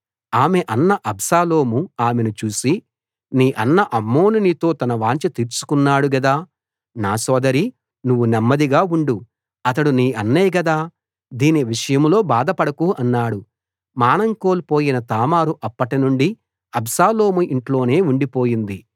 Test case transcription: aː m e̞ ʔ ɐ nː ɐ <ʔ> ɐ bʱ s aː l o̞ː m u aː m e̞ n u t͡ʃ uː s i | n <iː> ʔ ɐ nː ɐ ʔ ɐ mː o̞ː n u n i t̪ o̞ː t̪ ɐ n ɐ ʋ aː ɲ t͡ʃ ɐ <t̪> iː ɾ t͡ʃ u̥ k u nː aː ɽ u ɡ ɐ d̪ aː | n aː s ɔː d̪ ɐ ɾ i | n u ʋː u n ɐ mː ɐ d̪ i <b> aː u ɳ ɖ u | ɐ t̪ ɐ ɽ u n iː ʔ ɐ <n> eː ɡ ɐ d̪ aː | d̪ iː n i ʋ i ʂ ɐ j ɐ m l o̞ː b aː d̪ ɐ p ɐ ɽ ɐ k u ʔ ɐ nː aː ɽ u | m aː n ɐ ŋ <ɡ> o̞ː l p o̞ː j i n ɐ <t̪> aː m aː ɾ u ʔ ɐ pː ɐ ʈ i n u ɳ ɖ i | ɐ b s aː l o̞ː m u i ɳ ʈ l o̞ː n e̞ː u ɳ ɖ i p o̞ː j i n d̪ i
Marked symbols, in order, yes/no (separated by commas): yes, yes, yes, no, no, no, yes